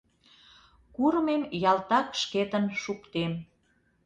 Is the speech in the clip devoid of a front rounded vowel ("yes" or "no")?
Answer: yes